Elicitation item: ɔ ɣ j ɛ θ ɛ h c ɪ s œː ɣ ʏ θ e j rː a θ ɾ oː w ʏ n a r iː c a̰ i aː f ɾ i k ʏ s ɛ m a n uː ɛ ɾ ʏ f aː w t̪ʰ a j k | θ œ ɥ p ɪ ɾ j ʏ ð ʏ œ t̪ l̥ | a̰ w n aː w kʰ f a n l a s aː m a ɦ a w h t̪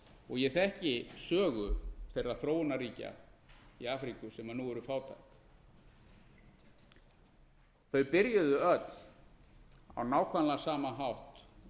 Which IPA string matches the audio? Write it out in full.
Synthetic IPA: ɔ ɣ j ɛ θ ɛ h c ɪ s œː ɣ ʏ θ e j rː a θ ɾ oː w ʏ n a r iː c a̰ i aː f ɾ i k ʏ s ɛ m a n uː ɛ ɾ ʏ f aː w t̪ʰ a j k | θ œ ɥ p ɪ ɾ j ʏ ð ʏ œ t̪ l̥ | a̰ w n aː w kʰ v a n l a s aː m a ɦ a w h t̪